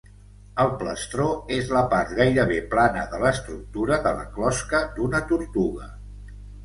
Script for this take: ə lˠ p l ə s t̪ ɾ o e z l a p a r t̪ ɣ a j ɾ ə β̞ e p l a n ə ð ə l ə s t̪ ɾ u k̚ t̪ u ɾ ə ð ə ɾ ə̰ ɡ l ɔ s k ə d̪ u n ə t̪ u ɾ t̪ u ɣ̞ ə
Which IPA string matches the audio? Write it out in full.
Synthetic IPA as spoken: ə lˠ p l ə s t̪ ɾ o e z l ə p a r t̪ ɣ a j ɾ ə β̞ e p l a n ə ð ə l ə s t̪ ɾ u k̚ t̪ u ɾ ə ð ə l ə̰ k l ɔ s k ə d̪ u n ə t̪ u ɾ t̪ u ɣ̞ ə